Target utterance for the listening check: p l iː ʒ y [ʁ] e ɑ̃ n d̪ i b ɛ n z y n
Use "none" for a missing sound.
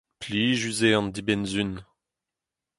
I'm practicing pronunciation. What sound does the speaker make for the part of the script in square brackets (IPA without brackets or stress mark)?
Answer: z